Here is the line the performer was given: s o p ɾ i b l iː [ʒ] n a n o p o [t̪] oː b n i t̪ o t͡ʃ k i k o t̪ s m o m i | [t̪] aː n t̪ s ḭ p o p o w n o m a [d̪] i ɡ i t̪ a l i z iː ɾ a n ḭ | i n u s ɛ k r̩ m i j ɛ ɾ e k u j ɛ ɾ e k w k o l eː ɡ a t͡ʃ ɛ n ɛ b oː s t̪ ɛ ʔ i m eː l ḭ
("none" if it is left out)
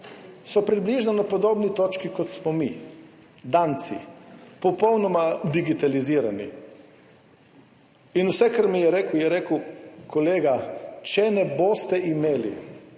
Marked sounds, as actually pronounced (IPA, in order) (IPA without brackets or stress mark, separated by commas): ʒ, d̪, d̪, d̪